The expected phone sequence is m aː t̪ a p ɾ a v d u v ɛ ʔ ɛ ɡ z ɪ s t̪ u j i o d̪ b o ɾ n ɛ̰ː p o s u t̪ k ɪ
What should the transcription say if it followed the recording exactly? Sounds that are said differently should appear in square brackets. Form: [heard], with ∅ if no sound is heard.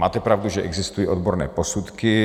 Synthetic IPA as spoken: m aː t̪ [ɛ] p ɾ a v d u [ʒ] ɛ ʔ ɛ ɡ z ɪ s t̪ u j i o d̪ b o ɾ n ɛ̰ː p o s u t̪ k ɪ

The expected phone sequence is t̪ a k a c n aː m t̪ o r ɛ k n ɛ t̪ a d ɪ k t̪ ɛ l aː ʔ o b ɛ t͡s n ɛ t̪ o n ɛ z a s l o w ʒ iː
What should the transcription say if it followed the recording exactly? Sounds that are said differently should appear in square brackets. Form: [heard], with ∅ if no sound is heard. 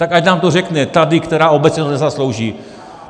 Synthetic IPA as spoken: t̪ a k a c n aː m t̪ o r ɛ k n ɛ t̪ a d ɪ k t̪ ɛ [ɾ] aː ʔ o b ɛ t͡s [ɲ] ɛ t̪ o n ɛ z a s l o w ʒ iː

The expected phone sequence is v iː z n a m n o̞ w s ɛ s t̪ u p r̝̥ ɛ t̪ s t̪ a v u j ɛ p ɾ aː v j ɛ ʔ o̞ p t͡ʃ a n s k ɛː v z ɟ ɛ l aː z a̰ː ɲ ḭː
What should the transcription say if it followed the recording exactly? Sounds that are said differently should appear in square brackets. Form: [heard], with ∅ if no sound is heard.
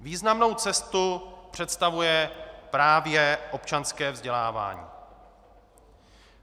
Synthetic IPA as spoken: v iː z n a m n o̞ w [t͡s] ɛ s t̪ u p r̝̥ ɛ t̪ s t̪ a v u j ɛ p ɾ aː v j ɛ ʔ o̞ p t͡ʃ a n s k ɛː v z ɟ ɛ l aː [v] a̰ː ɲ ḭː

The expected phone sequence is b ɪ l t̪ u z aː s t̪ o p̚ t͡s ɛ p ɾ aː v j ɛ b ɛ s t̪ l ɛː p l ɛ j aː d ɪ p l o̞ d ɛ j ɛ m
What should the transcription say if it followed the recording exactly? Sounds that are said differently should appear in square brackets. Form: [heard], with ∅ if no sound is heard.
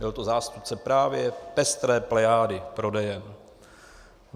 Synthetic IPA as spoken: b ɪ l t̪ [o] z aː s t̪ [u] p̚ t͡s ɛ p ɾ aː v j ɛ [p] ɛ s t̪ [ɾ] ɛː p l ɛ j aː d ɪ p [ɾ] o̞ d ɛ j ɛ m

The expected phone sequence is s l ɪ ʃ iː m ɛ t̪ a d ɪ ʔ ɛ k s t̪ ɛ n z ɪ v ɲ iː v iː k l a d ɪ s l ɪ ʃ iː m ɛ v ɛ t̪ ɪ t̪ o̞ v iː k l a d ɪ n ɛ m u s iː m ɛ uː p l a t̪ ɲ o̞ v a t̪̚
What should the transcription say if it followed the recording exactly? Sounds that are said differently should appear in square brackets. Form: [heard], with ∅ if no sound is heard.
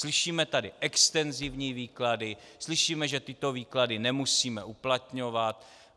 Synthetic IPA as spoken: s l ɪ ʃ iː m ɛ t̪ a d ɪ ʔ ɛ k s t̪ ɛ n z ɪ v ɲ iː v iː k l a d ɪ s l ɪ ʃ iː m ɛ [ʒ] ɛ t̪ ɪ t̪ o̞ v iː k l a d ɪ n ɛ m u s iː m ɛ [u] p l a t̪ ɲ o̞ v a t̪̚

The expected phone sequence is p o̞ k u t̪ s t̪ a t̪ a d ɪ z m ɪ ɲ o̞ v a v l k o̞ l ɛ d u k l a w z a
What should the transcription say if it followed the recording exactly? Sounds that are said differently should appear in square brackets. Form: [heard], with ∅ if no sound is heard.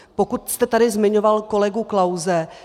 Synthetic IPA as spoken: p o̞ k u t̪ s t̪ [ɛ] t̪ a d ɪ z m ɪ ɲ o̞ v a [∅] l k o̞ l ɛ [ɡ] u k l a w z [ɛ]

